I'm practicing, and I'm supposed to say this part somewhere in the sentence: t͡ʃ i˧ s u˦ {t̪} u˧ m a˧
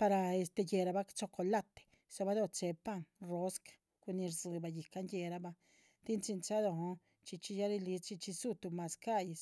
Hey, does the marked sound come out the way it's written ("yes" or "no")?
yes